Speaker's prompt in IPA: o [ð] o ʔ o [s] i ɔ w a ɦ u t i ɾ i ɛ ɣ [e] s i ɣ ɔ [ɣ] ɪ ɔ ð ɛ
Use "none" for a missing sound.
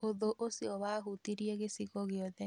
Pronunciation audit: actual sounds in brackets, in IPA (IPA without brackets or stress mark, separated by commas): ð, s, e, ɣ